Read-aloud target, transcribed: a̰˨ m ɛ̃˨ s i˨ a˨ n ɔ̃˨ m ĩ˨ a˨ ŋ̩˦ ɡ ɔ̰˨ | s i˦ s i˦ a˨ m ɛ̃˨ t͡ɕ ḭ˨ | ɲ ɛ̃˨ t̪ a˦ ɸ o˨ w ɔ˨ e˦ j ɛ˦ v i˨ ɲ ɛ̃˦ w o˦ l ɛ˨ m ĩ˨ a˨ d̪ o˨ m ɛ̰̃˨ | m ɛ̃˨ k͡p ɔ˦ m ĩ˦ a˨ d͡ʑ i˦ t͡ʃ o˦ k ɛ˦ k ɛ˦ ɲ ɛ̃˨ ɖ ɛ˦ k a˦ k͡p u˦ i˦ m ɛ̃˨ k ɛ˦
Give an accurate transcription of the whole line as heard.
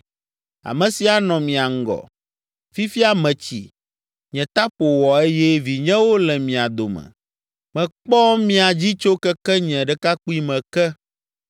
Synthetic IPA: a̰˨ m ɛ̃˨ s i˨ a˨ n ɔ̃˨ m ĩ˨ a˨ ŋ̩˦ ɡ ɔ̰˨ | f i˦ f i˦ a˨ m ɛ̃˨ t͡ɕ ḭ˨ | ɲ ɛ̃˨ t̪ a˦ ɸ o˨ w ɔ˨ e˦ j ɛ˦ v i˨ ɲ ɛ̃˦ w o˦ l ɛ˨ m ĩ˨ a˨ d̪ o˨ m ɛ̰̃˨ | m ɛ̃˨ k͡p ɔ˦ m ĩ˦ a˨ d͡ʑ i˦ t͡ʃ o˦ k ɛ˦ k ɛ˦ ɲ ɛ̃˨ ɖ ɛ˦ k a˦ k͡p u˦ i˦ m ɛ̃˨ k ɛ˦